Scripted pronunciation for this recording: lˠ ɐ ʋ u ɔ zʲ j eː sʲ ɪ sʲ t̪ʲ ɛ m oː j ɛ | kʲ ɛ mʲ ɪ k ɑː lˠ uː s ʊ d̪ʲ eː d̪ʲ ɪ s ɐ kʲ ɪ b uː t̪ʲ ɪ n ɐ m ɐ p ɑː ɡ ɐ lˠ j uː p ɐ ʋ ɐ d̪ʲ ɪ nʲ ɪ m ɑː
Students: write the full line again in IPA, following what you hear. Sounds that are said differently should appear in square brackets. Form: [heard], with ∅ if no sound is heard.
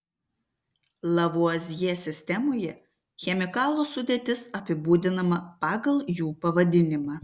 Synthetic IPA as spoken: lˠ ɐ ʋ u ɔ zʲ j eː sʲ ɪ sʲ t̪ʲ ɛ m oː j ɛ | [xʲ] ɛ mʲ ɪ k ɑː lˠ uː s ʊ d̪ʲ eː [t̪ʲ] ɪ s ɐ [pʲ] ɪ b uː [d̪ʲ] ɪ n ɐ m ɐ p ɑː ɡ ɐ lˠ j uː p ɐ ʋ ɐ d̪ʲ ɪ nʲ ɪ m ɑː